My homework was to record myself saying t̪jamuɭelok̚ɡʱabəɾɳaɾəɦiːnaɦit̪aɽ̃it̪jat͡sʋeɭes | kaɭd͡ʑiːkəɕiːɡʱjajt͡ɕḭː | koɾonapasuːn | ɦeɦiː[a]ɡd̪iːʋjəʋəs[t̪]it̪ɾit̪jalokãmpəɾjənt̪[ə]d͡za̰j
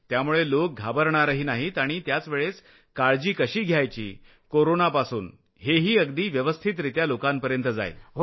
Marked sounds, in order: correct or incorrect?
incorrect, incorrect, correct

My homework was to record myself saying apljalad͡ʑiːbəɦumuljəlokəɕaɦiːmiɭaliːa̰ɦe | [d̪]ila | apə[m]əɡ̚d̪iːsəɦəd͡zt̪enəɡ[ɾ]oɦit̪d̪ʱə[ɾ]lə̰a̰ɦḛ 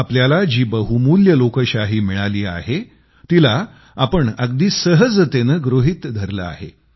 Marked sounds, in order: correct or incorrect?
incorrect, incorrect, correct, correct

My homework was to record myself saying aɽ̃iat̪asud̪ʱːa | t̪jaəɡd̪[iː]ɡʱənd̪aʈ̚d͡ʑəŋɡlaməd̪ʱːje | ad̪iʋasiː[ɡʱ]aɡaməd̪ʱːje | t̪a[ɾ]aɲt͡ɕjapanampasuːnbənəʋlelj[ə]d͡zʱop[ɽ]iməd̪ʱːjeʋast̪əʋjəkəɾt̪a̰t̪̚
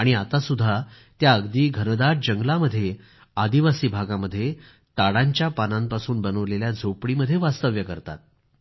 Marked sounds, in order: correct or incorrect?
correct, incorrect, incorrect, incorrect, correct

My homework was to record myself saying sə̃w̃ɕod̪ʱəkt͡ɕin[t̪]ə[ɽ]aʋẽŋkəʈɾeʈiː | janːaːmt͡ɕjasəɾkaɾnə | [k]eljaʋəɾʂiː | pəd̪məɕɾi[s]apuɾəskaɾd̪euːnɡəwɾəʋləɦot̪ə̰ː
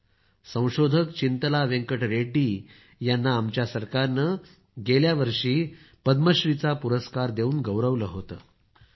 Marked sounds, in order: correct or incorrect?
correct, incorrect, incorrect, incorrect

